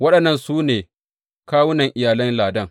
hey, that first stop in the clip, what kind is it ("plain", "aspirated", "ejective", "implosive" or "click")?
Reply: implosive